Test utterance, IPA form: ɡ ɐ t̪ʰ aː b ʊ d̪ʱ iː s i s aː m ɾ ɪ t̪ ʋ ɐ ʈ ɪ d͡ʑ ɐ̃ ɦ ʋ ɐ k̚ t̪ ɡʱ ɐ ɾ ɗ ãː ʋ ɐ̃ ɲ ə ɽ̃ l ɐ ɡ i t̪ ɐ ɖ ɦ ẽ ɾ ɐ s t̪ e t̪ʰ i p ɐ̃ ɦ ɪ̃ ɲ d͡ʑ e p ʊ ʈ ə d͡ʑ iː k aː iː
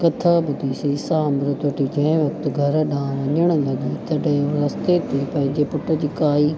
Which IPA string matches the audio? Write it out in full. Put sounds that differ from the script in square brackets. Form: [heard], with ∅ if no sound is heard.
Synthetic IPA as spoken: [k] ɐ t̪ʰ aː b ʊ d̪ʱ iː s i s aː m ɾ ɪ t̪ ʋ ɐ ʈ [i] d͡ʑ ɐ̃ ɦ ʋ ɐ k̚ t̪ ɡʱ ɐ ɾ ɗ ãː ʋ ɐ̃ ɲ ə ɽ̃ l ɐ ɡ i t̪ ɐ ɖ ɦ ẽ ɾ ɐ s t̪ e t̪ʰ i p ɐ̃ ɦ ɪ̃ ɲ d͡ʑ e p ʊ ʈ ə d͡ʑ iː k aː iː